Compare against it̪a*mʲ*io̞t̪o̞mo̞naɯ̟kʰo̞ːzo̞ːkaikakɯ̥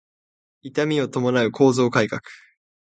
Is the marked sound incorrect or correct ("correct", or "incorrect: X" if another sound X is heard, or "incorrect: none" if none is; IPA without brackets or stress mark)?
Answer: correct